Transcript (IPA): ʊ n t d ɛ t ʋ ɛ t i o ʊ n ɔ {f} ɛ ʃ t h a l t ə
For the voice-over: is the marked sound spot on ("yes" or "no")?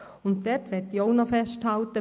yes